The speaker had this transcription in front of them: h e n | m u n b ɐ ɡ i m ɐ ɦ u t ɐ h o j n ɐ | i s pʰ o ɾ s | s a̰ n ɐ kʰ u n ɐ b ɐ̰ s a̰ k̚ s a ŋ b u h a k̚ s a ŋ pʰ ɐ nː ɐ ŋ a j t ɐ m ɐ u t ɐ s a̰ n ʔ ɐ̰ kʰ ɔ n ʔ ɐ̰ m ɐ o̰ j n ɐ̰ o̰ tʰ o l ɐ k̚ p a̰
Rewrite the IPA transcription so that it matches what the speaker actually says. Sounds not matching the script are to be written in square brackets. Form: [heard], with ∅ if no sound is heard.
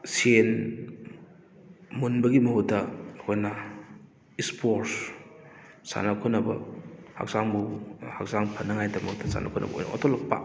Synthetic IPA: [s] e n | m u n b ɐ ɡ i m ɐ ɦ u t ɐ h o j n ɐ | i s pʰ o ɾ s | s a̰ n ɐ kʰ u n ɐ b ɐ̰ [h] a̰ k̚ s a ŋ b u h a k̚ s a ŋ pʰ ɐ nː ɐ ŋ a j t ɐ m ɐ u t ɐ s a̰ n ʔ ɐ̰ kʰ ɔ n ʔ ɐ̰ [b] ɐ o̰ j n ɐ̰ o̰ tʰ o l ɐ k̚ p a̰